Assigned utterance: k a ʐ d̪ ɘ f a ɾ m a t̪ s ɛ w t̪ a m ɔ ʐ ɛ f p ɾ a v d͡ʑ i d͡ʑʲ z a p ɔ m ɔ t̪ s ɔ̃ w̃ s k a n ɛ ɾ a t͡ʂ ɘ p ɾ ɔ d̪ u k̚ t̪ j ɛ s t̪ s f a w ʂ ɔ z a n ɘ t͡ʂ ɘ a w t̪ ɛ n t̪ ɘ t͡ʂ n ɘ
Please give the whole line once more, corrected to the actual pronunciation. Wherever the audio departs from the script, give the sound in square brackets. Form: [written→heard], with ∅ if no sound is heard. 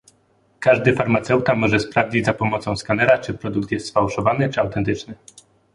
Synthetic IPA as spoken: k a ʐ d̪ ɘ f a ɾ m a t̪ s ɛ w t̪ a m ɔ ʐ ɛ [f→s] p ɾ a v d͡ʑ i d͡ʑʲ z a p ɔ m ɔ t̪ s ɔ̃ w̃ s k a n ɛ ɾ a t͡ʂ ɘ p ɾ ɔ d̪ u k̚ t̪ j ɛ s t̪ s f a w ʂ ɔ [z→v] a n ɘ t͡ʂ ɘ a w t̪ ɛ n t̪ ɘ t͡ʂ n ɘ